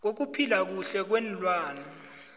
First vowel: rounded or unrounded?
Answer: rounded